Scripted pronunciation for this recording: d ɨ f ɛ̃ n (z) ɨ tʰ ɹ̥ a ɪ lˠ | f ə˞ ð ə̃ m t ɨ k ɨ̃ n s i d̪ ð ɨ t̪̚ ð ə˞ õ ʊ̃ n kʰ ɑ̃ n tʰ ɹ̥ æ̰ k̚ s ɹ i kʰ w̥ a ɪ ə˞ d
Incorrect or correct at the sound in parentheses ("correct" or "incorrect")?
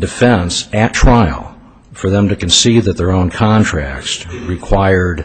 incorrect